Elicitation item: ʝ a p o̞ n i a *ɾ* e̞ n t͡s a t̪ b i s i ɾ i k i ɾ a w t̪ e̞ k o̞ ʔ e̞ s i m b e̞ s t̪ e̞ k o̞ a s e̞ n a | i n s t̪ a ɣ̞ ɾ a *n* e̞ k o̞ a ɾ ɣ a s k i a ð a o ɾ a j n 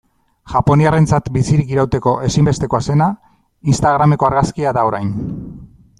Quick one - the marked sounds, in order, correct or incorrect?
incorrect: r, incorrect: m

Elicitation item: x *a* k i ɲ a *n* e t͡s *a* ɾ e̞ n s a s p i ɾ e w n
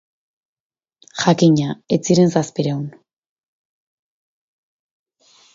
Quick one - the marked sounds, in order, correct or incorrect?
correct, incorrect: none, incorrect: i

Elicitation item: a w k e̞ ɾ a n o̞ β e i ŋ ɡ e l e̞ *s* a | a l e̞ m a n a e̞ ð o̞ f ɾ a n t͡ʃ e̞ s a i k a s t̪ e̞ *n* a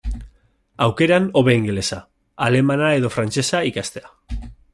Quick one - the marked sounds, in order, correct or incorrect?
correct, incorrect: none

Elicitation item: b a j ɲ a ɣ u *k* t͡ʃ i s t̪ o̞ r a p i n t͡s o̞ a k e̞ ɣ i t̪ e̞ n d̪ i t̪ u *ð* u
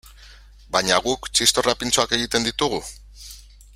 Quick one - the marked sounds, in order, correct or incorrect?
correct, incorrect: ɣ

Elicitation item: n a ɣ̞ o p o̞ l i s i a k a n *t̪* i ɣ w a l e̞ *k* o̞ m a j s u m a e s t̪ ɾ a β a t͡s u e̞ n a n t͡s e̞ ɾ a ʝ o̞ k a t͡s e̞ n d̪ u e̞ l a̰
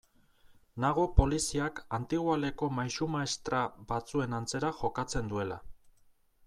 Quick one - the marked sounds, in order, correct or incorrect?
correct, correct

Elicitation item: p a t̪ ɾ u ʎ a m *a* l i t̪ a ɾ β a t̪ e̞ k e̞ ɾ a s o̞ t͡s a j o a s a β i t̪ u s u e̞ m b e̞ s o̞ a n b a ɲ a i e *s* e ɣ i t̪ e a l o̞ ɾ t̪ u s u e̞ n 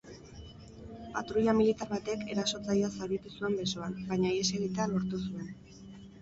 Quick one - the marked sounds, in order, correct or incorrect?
incorrect: i, correct

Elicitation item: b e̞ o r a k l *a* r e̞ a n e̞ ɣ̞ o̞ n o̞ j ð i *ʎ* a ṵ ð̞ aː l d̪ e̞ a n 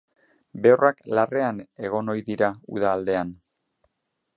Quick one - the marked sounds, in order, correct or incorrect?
correct, incorrect: ɾ

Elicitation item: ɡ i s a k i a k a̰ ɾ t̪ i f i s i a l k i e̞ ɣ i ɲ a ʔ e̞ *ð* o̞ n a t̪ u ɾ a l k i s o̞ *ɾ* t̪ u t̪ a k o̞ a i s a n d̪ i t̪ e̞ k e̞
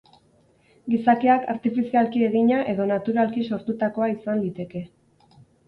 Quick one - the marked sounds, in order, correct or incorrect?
correct, correct

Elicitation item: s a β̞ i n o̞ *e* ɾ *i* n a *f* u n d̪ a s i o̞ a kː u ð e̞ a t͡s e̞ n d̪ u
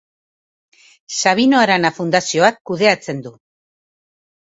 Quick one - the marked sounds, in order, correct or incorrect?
incorrect: a, incorrect: a, correct

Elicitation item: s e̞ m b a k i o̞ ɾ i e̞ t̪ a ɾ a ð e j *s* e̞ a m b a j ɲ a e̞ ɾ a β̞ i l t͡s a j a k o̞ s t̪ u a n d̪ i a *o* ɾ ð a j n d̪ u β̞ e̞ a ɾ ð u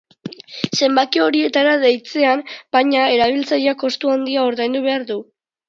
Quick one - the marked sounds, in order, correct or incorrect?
incorrect: t͡s, correct

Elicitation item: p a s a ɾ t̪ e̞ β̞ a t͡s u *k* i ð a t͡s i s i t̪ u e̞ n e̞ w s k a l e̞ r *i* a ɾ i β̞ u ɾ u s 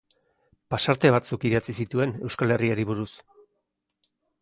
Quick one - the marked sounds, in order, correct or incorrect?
correct, correct

